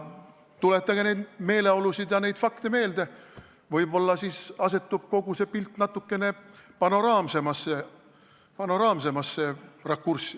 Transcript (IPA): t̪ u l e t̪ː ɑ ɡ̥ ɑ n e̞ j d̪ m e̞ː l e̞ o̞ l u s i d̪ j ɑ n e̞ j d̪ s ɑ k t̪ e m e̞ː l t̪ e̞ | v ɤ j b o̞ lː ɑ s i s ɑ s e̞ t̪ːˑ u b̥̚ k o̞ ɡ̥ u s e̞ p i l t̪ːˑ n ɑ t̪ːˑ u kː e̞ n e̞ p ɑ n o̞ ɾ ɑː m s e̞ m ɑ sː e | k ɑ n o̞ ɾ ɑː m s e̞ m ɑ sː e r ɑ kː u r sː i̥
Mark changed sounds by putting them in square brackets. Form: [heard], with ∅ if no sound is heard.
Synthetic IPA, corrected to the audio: t̪ u l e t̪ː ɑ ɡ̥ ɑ n e̞ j d̪ m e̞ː l e̞ o̞ l u s i d̪ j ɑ n e̞ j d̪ [f] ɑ k t̪ e m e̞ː l [d̪] e̞ | v ɤ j b o̞ lː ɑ s i s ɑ s e̞ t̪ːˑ u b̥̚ k o̞ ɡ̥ u s e̞ p i l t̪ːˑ n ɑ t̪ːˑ u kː e̞ n e̞ p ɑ n o̞ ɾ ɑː m s e̞ m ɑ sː e | [p] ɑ n o̞ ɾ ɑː m s e̞ m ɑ sː e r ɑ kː u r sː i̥